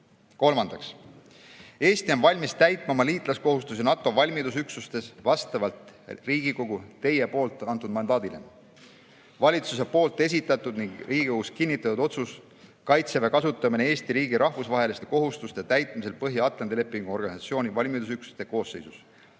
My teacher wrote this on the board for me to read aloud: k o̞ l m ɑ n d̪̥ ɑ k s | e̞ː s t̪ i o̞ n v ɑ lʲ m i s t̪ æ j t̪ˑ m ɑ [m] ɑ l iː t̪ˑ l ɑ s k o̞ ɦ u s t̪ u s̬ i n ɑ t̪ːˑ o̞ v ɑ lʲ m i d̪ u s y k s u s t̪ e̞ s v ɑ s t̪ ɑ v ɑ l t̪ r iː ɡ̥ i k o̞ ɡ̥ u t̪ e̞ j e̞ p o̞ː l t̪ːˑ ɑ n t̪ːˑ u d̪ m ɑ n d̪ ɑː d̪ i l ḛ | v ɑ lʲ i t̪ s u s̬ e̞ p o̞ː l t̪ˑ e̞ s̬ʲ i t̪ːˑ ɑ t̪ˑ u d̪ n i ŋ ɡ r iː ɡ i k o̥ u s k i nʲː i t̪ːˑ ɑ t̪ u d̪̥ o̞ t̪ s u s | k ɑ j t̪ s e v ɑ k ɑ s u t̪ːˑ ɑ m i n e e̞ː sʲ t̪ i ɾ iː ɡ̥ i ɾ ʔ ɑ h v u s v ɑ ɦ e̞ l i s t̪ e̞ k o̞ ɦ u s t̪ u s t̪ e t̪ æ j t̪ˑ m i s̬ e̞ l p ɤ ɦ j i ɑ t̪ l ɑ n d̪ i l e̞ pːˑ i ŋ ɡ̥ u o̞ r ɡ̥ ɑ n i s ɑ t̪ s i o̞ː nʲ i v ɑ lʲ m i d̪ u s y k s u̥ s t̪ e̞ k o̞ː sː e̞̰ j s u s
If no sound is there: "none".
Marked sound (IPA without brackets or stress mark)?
m